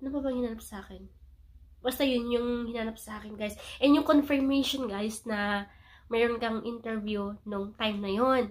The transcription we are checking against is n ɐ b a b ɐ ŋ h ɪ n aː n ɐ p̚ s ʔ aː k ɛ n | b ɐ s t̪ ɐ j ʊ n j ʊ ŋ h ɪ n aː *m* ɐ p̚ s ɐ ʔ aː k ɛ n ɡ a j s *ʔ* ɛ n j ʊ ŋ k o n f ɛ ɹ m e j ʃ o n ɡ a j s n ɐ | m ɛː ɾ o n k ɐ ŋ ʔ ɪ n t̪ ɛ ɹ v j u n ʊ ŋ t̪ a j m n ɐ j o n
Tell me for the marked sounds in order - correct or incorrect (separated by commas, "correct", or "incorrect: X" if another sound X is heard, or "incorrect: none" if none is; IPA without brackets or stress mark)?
incorrect: n, correct